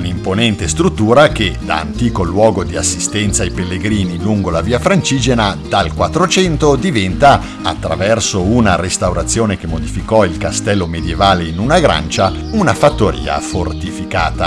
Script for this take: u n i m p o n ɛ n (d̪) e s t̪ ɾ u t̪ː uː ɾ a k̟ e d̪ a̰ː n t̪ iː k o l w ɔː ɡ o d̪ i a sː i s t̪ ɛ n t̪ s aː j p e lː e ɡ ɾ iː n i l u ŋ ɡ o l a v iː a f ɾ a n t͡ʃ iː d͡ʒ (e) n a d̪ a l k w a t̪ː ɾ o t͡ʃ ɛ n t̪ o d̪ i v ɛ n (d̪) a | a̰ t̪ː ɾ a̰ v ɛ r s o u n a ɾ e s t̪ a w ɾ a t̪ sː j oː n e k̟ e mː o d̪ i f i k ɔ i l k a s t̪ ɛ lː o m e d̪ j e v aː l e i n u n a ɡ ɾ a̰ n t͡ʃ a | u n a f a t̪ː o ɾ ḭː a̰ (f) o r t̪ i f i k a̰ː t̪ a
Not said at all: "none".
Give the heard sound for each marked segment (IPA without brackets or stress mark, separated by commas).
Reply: t̪, e, t̪, f